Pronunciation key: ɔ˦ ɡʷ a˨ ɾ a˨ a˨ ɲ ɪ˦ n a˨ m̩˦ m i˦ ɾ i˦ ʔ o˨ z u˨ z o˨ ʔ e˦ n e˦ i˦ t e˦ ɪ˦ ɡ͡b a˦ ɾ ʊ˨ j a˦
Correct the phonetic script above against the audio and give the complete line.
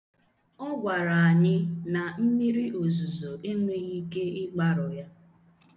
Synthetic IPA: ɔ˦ ɡʷ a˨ ɾ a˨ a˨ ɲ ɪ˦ n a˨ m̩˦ m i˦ ɾ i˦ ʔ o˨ z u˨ z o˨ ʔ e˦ ŋ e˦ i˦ k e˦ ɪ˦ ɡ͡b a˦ ɾ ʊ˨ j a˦

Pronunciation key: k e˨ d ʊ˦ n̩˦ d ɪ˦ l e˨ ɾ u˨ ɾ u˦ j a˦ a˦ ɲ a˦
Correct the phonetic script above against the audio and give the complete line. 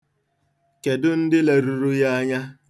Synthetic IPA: k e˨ d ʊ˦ n̩˦ d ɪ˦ l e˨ ɾ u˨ ɾ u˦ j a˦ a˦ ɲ a˦

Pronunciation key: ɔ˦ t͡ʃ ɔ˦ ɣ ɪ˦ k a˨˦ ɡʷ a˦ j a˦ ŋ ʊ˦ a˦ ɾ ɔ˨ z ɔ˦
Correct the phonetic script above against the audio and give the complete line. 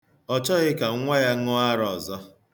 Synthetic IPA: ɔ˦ t͡ʃ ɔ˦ ɣ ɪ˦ k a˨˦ ŋʷ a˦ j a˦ ŋ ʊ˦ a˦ ɾ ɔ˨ z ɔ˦

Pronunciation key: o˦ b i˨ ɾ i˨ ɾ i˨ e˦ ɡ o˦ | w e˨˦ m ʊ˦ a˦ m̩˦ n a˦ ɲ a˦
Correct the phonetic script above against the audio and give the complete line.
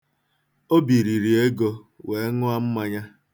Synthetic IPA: o˦ b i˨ ɾ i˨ ɾ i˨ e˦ ɡ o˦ | w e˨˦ ŋ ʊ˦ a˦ m̩˦ m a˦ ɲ a˦

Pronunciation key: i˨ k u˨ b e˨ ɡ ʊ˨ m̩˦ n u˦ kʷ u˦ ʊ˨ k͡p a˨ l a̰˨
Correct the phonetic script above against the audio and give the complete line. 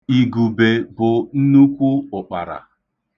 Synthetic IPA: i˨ ɡ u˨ b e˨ b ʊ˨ n̩˦ n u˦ kʷ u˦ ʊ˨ k͡p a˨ ɾ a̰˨

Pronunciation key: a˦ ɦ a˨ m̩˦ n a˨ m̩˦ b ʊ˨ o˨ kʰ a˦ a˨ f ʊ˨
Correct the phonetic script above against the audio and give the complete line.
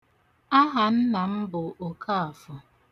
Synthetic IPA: a˦ ɦ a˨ n̩˦ n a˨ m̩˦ b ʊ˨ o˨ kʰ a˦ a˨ f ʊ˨

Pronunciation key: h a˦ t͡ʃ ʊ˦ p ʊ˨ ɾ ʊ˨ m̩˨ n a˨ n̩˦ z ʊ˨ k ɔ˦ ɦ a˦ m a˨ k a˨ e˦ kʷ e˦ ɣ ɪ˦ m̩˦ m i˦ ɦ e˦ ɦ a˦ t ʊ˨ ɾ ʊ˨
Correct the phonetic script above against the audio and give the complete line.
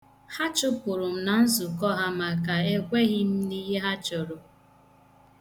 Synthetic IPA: h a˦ t͡ʃ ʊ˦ p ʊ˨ ɾ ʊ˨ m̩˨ n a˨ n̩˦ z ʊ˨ k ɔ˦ ɦ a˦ m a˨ k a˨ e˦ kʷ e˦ ɣ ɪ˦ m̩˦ n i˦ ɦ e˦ ɦ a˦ t͡ʃ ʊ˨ ɾ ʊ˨

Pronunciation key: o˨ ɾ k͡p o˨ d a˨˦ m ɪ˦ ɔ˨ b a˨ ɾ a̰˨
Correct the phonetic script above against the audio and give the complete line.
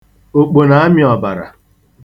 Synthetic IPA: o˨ k͡p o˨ n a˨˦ m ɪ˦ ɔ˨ b a˨ ɾ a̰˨

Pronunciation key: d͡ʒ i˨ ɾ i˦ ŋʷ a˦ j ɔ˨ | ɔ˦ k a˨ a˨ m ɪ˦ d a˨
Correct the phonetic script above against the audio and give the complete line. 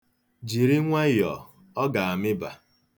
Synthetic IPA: d͡ʒ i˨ ɾ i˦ ŋʷ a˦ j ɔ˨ | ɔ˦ ɡ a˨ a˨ m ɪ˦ b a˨

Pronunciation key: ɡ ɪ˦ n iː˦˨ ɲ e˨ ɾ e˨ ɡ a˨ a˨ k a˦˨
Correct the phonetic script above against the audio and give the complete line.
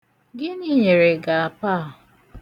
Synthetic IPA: ɡ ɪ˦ n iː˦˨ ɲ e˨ ɾ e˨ ɡ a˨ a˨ p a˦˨

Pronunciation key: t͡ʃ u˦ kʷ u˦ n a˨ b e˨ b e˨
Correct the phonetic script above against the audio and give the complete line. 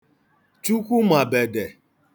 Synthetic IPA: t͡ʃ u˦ kʷ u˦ m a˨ b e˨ d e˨

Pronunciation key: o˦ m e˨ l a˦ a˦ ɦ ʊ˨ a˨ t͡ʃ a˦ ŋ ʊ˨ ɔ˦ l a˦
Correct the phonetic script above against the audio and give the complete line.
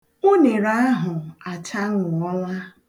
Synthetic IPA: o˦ n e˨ ɾ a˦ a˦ ɦ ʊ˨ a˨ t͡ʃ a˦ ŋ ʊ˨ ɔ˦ l a˦

